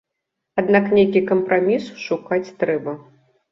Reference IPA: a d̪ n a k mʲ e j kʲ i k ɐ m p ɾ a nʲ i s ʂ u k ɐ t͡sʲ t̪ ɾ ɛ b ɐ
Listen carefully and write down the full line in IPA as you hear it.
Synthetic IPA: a d̪ n a k nʲ e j kʲ i k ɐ m p ɾ a mʲ i s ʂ u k a t͡sʲ t̪ ɾ ɛ b ɐ